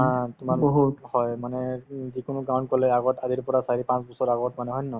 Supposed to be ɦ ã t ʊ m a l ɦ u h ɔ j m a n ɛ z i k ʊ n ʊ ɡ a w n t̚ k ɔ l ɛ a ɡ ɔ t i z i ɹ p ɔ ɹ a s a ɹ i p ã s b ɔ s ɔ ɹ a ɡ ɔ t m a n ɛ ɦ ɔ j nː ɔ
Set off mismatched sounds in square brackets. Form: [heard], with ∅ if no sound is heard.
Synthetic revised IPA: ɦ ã t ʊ m a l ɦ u h ɔ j m a n ɛ z i k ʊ n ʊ ɡ a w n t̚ k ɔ l ɛ a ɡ ɔ t [a] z i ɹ p ɔ ɹ a s a ɹ i p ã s b ɔ s ɔ ɹ a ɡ ɔ t m a n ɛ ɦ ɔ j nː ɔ